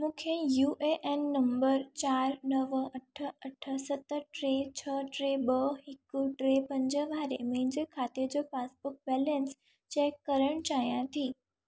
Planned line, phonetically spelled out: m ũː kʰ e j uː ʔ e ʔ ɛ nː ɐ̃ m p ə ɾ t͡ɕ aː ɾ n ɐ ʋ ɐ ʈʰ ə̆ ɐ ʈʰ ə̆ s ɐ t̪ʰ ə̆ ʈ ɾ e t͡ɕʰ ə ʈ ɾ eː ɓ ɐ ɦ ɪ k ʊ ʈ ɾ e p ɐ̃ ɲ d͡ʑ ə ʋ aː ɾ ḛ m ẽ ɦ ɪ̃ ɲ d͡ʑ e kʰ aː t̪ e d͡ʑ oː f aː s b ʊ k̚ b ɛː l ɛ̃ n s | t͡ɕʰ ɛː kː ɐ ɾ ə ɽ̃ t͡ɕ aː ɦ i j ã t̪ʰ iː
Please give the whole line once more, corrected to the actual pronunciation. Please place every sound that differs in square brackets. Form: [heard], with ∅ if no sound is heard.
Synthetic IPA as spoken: m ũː kʰ e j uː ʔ e ʔ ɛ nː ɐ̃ m [b] ə ɾ t͡ɕ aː ɾ n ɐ ʋ ɐ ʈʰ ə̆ ɐ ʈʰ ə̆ s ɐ [t̪] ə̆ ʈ ɾ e t͡ɕʰ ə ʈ ɾ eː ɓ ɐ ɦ ɪ k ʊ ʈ ɾ e p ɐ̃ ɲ d͡ʑ ə ʋ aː ɾ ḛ m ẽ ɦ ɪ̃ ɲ d͡ʑ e kʰ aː t̪ e d͡ʑ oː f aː s b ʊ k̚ b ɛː l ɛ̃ n s | [t͡ɕ] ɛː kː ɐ ɾ ə ɽ̃ t͡ɕ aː ɦ i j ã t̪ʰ iː